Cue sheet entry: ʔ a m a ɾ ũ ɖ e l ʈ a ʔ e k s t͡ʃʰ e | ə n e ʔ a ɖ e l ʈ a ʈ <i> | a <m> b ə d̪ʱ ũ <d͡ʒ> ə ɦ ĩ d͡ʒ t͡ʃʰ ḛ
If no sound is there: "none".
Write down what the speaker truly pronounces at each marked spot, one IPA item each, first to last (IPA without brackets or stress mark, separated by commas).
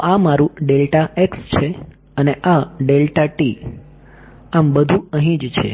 i, m, none